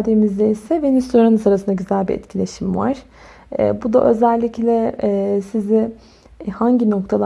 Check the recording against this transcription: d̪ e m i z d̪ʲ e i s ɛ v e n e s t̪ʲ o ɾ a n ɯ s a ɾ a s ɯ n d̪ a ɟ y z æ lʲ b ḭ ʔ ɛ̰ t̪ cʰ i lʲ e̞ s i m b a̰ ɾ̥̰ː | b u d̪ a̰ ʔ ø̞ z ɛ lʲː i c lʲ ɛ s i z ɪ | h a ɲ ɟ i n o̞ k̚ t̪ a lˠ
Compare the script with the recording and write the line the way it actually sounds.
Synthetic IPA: d̪ e m i z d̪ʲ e i s ɛ v e n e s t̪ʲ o ɾ a n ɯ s a ɾ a s ɯ n d̪ a ɟ y z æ lʲ b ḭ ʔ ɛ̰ t̪ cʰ i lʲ e̞ ʃ i m v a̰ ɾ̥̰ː | b u d̪ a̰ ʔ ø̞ z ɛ lʲː i c lʲ ɛ s i z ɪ | h a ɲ ɟ i n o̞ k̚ t̪ʰ a lˠ